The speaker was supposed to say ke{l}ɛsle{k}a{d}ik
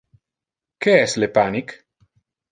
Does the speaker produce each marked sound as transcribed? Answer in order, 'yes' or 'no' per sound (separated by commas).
no, no, no